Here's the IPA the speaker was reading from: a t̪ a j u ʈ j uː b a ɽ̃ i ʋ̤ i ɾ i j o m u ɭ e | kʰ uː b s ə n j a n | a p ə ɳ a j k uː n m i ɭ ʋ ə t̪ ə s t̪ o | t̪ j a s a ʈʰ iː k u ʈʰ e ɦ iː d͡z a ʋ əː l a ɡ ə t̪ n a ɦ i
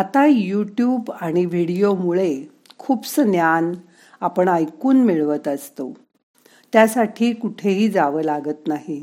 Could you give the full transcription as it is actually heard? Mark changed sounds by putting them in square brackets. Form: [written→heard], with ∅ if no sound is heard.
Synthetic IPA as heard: a t̪ a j u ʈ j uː b a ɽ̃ i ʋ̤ i [ɾ→ɽ] i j o m u ɭ e | kʰ uː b s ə n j a n | a p ə ɳ a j k uː n m i ɭ ʋ ə t̪ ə s t̪ o | t̪ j a s a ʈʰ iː k u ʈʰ e ɦ iː d͡z a ʋ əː l a ɡ ə t̪ n a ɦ i